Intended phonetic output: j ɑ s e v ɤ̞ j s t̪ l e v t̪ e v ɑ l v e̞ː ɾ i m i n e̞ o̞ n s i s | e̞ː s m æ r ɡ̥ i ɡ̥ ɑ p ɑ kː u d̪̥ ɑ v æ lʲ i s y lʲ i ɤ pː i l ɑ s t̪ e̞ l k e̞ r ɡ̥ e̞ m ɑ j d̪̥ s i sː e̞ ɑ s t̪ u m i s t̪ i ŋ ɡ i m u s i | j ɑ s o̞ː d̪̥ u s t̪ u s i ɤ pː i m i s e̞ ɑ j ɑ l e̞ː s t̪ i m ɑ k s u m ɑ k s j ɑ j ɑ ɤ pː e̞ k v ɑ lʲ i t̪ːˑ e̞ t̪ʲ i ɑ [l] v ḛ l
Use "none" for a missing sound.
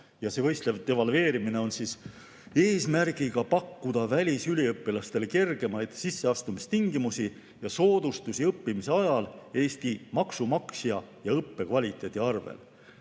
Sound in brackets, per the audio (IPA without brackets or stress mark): r